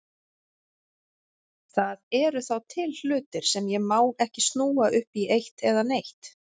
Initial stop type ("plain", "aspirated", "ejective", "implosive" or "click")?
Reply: aspirated